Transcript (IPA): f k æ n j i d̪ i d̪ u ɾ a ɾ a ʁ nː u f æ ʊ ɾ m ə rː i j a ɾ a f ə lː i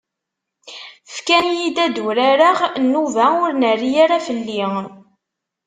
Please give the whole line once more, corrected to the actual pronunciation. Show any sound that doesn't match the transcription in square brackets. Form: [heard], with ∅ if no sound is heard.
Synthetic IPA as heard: f k æ n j i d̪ [æ] d̪ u ɾ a ɾ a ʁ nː u [v] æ ʊ ɾ [n] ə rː i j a ɾ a f ə lː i